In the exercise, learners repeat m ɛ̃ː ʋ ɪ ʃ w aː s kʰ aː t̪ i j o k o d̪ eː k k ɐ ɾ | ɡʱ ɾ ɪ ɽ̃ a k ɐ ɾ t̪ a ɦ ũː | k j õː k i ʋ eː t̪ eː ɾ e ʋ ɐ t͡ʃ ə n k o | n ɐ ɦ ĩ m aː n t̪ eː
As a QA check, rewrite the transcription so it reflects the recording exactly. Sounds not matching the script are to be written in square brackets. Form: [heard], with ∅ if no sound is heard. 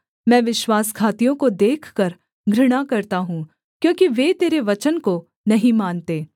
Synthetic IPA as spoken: m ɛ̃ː ʋ ɪ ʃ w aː s kʰ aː t̪ i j [õ] k o d̪ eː [kʰ] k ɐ ɾ | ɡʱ ɾ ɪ ɽ̃ a k ɐ ɾ t̪ a ɦ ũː | k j õː k i ʋ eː t̪ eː ɾ e ʋ ɐ t͡ʃ ə n k o | n ɐ ɦ ĩ m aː n t̪ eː